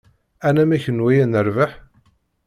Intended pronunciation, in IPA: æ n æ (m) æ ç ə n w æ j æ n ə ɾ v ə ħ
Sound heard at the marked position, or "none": m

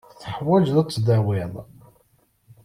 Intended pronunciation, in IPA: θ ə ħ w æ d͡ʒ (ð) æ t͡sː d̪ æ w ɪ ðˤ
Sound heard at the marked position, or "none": ð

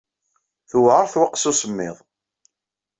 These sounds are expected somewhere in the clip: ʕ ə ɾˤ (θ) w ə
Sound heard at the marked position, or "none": θ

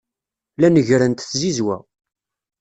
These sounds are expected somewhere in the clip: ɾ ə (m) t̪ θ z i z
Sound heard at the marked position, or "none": n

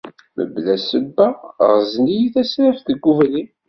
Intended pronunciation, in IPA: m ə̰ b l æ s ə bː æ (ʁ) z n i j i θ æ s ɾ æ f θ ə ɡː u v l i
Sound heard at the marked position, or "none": ʁ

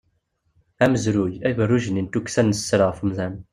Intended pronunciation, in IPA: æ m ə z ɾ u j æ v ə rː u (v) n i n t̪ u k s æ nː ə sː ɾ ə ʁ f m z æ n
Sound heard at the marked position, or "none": ʒ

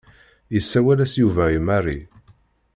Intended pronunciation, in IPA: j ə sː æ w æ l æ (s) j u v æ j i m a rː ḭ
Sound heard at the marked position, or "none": s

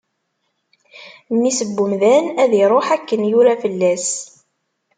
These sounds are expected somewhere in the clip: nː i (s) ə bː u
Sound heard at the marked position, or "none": s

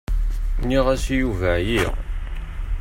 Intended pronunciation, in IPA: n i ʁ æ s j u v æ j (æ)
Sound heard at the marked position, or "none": i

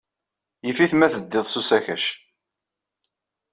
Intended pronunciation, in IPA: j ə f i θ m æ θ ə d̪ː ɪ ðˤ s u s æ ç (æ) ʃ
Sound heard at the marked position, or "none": æ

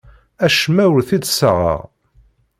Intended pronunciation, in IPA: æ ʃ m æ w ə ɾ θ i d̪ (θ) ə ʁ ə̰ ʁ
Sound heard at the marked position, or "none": s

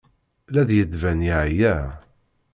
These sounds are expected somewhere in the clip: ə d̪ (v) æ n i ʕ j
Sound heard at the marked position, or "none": v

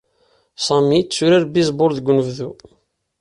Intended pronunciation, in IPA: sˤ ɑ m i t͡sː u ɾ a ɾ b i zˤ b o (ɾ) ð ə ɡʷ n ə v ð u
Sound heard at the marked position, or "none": ɾ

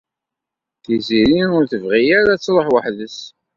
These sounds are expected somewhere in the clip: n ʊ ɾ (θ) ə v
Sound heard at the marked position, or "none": θ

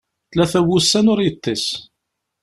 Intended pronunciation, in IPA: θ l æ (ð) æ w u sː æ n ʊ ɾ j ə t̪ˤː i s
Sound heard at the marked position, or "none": θ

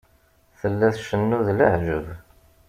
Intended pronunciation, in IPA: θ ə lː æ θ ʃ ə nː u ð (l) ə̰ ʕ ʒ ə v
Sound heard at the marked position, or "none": l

